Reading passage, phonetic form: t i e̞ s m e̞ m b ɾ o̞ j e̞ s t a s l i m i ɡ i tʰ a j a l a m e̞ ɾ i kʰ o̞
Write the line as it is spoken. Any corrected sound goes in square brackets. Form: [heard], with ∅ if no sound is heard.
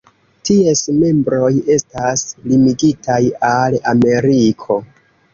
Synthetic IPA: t i e̞ s m e̞ m b ɾ o̞ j e̞ s t a s l i m i ɡ i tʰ a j a l a m e̞ ɾ i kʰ o̞

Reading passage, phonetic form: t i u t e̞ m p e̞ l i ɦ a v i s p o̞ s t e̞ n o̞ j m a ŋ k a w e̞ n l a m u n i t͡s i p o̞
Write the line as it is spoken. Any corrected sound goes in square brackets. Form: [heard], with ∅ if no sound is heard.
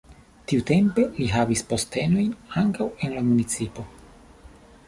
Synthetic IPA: t i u t e̞ m p e̞ l i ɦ a v i s p o̞ s t e̞ n o̞ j [n] a ŋ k a w e̞ n l a m u n i t͡s i p o̞

